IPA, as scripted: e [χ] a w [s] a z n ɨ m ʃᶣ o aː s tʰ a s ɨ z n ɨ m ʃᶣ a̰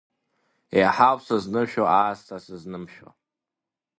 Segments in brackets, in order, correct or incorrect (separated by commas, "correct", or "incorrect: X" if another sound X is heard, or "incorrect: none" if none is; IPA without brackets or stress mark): incorrect: ħ, correct